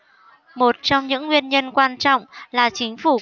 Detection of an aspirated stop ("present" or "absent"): absent